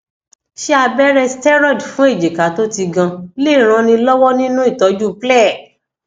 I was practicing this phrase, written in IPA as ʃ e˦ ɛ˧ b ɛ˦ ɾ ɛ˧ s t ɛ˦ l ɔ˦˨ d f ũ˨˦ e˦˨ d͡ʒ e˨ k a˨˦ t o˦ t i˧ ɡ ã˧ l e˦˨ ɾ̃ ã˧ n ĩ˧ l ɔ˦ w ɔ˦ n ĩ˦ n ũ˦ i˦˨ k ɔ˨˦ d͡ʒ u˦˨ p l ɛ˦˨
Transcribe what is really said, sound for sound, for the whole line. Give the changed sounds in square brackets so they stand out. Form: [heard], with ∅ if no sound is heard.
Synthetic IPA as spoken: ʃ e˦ [a˧] b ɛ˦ ɾ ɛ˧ s t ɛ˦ [ɾ] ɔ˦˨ d f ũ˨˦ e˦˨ d͡ʒ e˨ k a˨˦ t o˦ t i˧ ɡ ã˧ l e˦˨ ɾ̃ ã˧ n ĩ˧ l ɔ˦ w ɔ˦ n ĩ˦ n ũ˦ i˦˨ [t] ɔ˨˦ d͡ʒ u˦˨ p l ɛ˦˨